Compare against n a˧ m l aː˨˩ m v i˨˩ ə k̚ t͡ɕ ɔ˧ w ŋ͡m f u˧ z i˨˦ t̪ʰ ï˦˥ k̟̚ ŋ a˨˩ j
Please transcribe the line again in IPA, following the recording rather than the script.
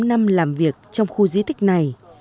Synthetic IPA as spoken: n a˧ m l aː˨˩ m v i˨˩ ə k̚ t͡ɕ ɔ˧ w ŋ͡m x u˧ z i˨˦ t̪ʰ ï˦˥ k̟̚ n a˨˩ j